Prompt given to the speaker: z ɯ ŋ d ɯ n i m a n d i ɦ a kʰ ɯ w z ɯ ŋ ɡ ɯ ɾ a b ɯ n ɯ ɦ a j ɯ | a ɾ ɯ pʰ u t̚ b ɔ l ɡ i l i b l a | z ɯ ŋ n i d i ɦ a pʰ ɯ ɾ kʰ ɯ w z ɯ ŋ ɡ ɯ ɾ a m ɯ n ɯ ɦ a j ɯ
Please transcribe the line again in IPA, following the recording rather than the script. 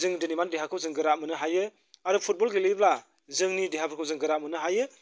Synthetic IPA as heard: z ɯ ŋ d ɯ n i m a n d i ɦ a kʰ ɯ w z ɯ ŋ ɡ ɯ ɾ a m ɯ n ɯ ɦ a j ɯ | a ɾ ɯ pʰ u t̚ b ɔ l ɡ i l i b l a | z ɯ ŋ n i d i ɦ a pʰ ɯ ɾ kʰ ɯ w z ɯ ŋ ɡ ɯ ɾ a m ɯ n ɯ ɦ a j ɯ

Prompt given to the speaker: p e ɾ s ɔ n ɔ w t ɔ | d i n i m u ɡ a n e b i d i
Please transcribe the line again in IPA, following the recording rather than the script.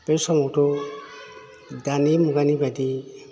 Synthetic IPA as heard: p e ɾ s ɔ m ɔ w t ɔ | d a n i m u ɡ a n i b a d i

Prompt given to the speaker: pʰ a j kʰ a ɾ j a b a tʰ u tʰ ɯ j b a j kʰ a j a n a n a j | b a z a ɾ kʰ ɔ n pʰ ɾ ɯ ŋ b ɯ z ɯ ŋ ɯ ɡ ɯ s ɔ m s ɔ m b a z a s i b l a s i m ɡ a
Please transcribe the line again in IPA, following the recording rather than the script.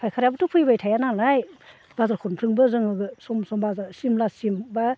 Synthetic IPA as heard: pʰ a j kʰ a ɾ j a b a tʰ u pʰ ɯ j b a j tʰ a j a n a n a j | b a z a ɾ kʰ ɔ n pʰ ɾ ɯ ŋ b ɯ z ɯ ŋ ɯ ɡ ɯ s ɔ m s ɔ m b a z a s i m l a s i m b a

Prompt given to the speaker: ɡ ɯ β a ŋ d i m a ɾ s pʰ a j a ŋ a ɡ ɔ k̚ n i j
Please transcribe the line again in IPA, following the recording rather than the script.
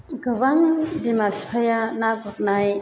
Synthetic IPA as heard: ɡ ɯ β a ŋ d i m a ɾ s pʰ a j a n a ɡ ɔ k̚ n a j

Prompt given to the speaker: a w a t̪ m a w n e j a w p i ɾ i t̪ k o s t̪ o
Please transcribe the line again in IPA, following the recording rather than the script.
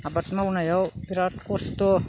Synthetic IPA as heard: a b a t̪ m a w n a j a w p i ɾ a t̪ k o s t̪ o

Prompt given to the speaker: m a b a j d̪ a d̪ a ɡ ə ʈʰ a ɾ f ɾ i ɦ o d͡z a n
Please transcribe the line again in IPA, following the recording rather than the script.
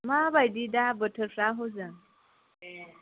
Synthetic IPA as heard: m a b a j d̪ i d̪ a b ə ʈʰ ə ɾ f ɾ a ɦ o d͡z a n

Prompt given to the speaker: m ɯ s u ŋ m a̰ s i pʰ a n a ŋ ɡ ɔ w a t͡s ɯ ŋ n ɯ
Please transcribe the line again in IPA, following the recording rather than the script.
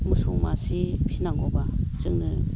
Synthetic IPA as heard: m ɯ s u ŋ m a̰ s i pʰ i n a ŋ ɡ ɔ b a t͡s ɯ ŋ n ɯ

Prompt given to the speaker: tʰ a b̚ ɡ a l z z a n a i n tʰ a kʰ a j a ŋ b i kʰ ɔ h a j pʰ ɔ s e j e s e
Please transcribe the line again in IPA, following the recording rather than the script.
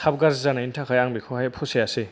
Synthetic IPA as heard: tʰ a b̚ ɡ a ɾ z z a n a i n tʰ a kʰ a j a ŋ b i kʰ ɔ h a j pʰ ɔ s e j a s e

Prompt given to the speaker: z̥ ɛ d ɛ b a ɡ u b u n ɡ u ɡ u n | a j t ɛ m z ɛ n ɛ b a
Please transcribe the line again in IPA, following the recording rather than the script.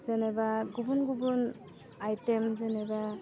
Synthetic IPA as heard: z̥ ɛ n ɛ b a ɡ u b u n ɡ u b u n | a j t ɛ m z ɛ n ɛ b a

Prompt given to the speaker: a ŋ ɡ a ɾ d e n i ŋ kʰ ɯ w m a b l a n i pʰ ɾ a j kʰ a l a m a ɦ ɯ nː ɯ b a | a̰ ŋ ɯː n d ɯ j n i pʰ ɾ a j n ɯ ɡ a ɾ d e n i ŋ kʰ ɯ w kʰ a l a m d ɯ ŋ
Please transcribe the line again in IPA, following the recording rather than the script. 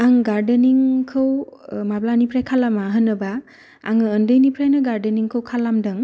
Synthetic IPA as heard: a ŋ ɡ a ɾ d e n i ŋ kʰ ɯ w m a b l a n i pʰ ɾ a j kʰ a l a m a ɦ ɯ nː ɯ b a | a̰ ŋ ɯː n d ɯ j n i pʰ ɾ a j n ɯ ɡ a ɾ d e n i ŋ kʰ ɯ w kʰ a l a m d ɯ ŋ

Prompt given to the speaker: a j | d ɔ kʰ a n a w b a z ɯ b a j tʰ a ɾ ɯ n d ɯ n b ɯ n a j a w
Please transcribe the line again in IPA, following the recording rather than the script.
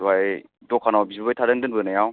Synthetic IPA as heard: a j | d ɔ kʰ a n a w b i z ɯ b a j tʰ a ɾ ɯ n d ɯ n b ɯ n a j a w

